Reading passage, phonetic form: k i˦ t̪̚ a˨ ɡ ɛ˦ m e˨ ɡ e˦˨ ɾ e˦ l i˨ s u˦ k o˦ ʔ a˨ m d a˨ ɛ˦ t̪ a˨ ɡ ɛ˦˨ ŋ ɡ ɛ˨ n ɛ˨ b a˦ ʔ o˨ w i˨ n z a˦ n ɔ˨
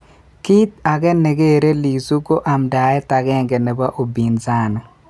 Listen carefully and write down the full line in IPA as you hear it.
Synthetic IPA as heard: k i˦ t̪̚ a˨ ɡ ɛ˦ n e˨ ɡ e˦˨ ɾ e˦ l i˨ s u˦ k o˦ ʔ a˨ m d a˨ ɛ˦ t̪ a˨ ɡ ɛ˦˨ ŋ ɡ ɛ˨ n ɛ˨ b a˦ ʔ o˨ b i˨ n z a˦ n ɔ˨

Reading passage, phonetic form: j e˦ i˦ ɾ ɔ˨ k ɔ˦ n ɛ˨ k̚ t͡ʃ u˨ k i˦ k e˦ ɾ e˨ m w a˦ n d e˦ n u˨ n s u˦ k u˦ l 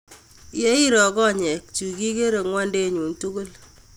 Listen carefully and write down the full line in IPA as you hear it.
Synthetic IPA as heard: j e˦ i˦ ɾ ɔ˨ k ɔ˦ ɲ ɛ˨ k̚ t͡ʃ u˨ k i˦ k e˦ ɾ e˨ ŋ w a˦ n d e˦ ɲ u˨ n t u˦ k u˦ l

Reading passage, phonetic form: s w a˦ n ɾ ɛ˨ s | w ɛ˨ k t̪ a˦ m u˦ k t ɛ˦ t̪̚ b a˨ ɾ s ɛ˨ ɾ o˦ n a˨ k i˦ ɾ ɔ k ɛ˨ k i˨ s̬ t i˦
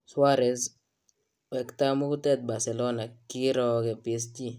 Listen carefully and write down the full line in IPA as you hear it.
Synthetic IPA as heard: s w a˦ ɾ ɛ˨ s | w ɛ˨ k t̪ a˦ m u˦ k t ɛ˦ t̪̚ b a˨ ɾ s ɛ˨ l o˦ n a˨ k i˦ ɾ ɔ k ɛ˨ p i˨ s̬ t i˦

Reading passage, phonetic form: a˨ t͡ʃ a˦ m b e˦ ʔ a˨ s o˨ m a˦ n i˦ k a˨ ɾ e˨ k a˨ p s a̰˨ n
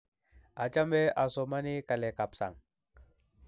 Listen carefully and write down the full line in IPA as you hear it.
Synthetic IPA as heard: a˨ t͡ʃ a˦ m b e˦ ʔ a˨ s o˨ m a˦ n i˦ k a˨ l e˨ k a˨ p s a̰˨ ŋ

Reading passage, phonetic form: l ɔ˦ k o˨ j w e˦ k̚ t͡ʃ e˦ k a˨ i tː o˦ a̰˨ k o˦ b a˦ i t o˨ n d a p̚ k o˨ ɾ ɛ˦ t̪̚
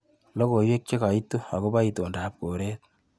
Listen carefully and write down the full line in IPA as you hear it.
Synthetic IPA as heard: l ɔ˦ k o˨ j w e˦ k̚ t͡ʃ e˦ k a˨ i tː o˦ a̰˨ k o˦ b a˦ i t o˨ n d a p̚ k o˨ ɾ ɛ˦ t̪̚

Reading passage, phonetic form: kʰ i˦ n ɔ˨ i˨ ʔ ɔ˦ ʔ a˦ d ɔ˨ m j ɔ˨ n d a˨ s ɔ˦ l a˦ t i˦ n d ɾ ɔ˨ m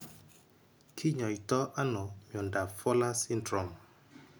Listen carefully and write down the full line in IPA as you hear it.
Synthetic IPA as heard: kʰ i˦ ɲ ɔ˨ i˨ t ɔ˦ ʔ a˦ n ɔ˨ m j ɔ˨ n d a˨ f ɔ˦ l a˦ s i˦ n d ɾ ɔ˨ m

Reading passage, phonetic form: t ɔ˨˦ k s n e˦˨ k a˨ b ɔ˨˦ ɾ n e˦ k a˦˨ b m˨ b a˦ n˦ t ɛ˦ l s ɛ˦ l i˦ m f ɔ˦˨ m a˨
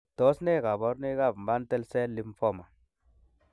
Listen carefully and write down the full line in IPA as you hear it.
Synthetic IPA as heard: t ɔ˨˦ s n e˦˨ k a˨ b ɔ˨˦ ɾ n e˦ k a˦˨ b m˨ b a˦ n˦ t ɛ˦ l s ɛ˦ l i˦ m f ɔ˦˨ m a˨

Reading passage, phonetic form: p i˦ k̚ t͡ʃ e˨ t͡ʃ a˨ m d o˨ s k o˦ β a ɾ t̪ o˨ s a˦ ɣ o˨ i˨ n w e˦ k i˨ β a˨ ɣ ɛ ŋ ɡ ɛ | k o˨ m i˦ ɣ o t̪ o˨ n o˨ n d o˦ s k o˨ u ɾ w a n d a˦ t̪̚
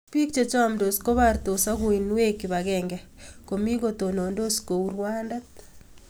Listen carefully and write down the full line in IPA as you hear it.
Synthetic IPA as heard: p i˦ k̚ t͡ʃ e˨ t͡ʃ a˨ m d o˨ s k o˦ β a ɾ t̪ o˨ s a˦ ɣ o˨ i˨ n w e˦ k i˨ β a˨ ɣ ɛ ŋ ɡ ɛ | k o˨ m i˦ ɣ o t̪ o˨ n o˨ n d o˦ s k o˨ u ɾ w a n d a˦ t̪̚

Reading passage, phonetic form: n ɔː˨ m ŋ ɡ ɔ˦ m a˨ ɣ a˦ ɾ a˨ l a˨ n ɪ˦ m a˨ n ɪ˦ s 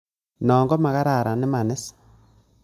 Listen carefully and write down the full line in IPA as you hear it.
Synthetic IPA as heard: n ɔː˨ ŋ ɡ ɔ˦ m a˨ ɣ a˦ ɾ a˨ ɾ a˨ n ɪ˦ m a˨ n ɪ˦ s

